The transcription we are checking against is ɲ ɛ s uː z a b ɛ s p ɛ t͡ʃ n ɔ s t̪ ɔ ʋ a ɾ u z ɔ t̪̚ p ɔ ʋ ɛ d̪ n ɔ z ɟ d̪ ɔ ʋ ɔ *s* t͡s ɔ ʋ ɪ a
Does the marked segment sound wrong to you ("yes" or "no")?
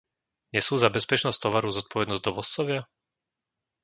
no